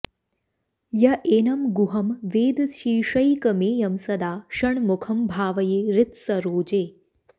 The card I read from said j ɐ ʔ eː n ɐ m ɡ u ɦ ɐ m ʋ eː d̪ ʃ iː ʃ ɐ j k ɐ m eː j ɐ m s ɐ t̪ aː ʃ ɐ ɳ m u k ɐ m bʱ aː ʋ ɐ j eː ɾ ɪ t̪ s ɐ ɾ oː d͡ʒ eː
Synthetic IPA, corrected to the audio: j ɐ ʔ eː n ɐ m ɡ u ɦ ɐ m ʋ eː d̪ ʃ iː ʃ ɐ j k ɐ m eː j ɐ m s ɐ d̪ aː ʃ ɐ ɳ m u kʰ ɐ m bʱ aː ʋ ɐ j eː ɾ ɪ t̪ s ɐ ɾ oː d͡ʒ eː